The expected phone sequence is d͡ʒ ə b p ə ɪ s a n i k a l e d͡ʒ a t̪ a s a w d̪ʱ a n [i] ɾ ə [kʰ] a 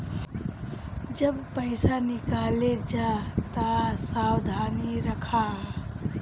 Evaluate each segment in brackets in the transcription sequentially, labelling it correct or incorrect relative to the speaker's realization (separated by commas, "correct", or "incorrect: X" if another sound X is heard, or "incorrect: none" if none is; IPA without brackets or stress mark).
correct, correct